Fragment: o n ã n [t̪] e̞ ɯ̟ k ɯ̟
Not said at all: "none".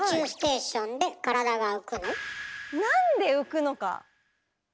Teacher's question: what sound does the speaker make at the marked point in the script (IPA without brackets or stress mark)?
d̪